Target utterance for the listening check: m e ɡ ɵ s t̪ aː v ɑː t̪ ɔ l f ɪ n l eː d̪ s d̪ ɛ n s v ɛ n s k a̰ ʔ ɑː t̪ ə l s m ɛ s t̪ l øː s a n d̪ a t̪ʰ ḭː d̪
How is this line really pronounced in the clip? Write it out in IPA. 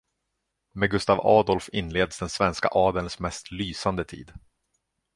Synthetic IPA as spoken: m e ɡ ɵ s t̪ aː v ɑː d̪ ɔ l f ɪ n l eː d̪ s d̪ ɛ n s v ɛ n s k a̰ ʔ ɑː d̪ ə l s m ɛ s t̪ l yː s a n d̪ ə t̪ʰ ḭː d̪